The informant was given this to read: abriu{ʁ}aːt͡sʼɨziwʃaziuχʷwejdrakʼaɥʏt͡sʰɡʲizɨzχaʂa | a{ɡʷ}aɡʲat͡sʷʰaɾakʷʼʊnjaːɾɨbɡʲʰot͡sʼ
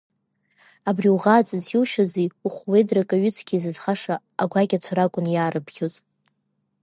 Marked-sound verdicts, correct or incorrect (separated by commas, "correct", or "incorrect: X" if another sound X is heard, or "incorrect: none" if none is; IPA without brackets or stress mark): correct, correct